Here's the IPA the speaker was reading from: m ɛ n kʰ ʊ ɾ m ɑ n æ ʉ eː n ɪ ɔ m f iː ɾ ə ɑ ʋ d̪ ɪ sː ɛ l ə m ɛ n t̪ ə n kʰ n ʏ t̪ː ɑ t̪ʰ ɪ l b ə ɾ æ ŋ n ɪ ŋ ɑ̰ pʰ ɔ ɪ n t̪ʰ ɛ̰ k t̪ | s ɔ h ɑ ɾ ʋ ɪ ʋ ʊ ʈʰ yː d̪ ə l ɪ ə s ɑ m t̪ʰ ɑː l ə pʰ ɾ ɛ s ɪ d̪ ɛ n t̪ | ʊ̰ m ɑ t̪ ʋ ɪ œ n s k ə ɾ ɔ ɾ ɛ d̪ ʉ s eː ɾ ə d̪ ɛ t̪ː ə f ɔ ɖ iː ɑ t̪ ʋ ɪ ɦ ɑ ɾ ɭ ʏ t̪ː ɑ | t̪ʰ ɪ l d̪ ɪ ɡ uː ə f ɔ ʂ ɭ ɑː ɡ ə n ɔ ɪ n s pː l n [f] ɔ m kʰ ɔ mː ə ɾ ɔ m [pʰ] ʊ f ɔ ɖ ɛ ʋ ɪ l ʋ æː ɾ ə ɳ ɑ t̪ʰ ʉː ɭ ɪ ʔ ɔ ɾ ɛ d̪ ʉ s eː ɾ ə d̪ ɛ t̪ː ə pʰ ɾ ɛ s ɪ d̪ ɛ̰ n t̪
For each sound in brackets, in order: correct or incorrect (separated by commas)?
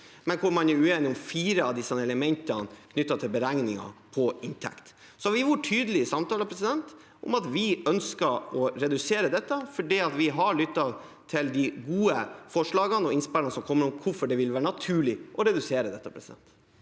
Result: incorrect, incorrect